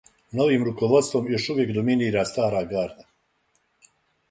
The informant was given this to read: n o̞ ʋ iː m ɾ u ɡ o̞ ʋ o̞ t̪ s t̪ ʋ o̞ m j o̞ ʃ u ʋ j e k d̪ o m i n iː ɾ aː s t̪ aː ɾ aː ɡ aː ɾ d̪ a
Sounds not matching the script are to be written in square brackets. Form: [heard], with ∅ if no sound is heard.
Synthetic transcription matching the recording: n o̞ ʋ iː m ɾ u [k] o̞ ʋ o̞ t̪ s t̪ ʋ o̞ m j o̞ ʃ u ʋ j e k d̪ o m i n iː ɾ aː s t̪ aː ɾ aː ɡ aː ɾ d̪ a

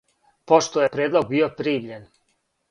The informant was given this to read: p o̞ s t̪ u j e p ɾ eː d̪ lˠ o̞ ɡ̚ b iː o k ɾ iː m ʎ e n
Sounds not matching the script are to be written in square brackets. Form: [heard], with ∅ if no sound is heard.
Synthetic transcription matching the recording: p o̞ [ʃ] t̪ [o] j e p ɾ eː d̪ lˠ o̞ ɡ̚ b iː o [p] ɾ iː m ʎ e n

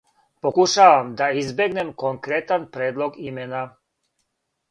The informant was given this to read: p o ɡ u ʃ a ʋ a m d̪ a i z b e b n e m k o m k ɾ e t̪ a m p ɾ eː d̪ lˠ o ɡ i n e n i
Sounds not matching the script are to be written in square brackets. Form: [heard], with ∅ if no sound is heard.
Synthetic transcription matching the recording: p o [k] u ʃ a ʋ a m d̪ a i z b e [ɡ] n e m k o [ŋ] k ɾ e t̪ a [n] p ɾ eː d̪ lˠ o ɡ i [m] e n [a]

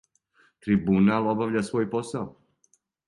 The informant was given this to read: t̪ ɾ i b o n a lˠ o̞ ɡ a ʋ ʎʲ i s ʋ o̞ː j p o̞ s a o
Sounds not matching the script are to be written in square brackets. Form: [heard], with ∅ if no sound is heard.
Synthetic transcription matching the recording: t̪ ɾ i b [u] n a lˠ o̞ [b] a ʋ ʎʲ [a] s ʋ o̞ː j p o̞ s a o

